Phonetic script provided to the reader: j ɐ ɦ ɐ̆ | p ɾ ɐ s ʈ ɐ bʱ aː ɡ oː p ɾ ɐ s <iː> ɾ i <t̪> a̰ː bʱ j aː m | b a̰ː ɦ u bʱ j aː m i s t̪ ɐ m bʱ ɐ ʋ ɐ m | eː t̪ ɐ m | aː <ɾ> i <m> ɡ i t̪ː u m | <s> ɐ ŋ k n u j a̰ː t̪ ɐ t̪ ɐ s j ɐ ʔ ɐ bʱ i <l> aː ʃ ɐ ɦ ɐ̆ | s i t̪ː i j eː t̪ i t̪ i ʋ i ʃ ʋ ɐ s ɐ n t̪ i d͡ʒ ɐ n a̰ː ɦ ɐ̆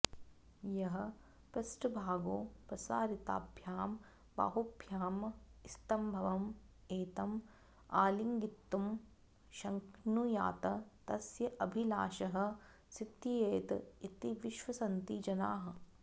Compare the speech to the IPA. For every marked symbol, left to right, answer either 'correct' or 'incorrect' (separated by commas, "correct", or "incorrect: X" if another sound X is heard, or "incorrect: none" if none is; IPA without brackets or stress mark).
incorrect: aː, correct, incorrect: l, incorrect: ŋ, incorrect: ʃ, correct